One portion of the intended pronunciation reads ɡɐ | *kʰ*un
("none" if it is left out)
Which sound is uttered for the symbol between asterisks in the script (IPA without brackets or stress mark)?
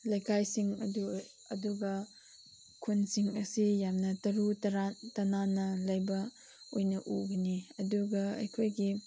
kʰ